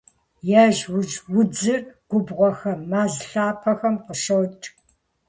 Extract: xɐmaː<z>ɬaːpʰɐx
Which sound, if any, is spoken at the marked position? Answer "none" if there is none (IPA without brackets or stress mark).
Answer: z